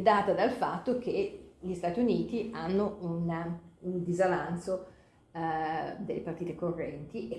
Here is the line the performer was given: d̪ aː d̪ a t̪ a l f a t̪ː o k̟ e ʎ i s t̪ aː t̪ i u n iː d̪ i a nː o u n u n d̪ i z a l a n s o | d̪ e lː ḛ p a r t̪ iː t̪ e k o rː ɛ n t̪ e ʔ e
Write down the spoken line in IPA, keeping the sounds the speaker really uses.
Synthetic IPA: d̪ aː t̪ a d̪ a l f a t̪ː o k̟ e ʎ i s t̪ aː t̪ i u n iː t̪ i a nː o u n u n d̪ i z a l a n s o | d̪ e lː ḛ p a r t̪ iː t̪ e k o rː ɛ n t̪ i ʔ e